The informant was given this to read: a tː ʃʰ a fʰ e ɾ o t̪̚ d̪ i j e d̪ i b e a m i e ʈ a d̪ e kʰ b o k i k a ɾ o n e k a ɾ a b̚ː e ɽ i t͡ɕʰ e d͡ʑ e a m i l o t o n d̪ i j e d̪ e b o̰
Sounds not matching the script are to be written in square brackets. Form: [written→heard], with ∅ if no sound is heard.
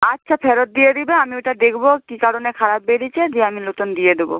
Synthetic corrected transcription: a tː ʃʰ a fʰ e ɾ o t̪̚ d̪ i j e d̪ i b e a m i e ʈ a d̪ e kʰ b o k i k a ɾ o n e [k→kʰ] a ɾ a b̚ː e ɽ i t͡ɕʰ e d͡ʑ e a m i l o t o n d̪ i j e d̪ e b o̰

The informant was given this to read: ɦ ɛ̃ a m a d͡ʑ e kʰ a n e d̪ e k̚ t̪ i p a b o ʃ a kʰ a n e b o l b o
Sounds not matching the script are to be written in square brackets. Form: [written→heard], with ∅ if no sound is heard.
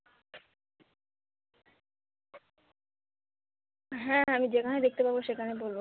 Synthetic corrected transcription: ɦ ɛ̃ a m [a→i] d͡ʑ e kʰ a n e d̪ e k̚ t̪ [i→e] p a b o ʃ [a→e] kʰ a n e b o l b o

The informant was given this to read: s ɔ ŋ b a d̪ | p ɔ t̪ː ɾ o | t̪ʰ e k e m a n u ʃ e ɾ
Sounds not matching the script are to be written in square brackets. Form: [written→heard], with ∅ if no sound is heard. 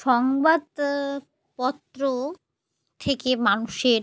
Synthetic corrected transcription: [s→ʃ] ɔ ŋ b a d̪ | p ɔ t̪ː ɾ o | t̪ʰ e k e m a n u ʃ e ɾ

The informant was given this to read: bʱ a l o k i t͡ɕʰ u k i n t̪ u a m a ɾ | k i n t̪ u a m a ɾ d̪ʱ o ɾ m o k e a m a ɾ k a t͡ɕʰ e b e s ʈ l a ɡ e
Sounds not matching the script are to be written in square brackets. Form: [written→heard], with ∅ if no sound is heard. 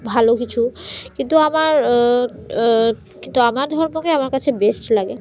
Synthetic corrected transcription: bʱ a l o k i t͡ɕʰ u k i n t̪ u a m a ɾ | k i n t̪ u a m a ɾ d̪ʱ [o→ɔ] ɾ m o k e a m a ɾ k a t͡ɕʰ e b e s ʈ l a ɡ e

